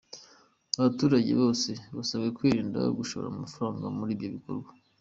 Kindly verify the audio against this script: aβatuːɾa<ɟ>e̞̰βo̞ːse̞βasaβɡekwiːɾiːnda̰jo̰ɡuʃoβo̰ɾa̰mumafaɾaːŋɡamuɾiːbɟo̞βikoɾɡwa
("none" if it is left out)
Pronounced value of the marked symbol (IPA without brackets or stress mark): ɟ